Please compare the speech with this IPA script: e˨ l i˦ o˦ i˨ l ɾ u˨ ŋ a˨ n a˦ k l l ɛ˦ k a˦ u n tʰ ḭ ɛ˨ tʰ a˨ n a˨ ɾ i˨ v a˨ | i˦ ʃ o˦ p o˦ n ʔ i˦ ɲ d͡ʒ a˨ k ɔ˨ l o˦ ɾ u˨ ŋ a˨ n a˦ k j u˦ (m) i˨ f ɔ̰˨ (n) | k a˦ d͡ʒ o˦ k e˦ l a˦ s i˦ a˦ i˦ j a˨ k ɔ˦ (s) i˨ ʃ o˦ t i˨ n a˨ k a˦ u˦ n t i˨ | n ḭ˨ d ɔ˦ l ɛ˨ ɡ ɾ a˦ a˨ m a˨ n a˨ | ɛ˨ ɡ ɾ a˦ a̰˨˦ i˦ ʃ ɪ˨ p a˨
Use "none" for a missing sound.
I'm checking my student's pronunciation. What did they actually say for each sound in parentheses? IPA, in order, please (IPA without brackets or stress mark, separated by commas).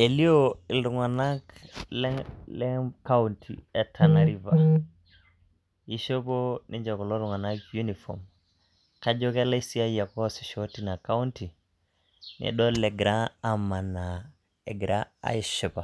n, m, s